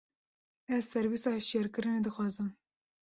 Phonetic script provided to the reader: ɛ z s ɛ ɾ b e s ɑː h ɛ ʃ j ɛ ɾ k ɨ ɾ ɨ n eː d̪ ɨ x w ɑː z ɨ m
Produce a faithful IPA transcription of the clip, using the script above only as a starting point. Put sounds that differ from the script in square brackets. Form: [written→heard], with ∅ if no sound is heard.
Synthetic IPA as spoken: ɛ z s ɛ ɾ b [e→i] s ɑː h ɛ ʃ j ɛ ɾ k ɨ ɾ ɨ n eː d̪ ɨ x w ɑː z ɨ m